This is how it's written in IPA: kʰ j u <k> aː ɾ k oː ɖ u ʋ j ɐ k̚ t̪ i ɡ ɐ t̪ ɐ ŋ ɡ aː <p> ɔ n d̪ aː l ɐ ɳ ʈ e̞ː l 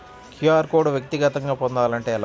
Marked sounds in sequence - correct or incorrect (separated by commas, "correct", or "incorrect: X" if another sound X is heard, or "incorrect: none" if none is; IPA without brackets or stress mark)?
incorrect: none, correct